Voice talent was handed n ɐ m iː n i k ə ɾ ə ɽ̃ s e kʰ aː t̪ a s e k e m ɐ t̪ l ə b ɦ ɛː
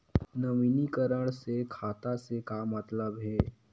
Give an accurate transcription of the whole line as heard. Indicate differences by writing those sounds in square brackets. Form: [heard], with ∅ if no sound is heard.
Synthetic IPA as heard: n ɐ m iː n i k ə ɾ ə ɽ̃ s e kʰ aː t̪ a s e k [a] m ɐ t̪ l ə b ɦ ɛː